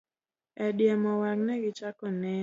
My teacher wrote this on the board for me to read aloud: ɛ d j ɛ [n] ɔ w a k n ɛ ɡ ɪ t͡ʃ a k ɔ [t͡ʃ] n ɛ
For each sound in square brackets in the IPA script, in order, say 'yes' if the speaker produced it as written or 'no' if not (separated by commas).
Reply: no, no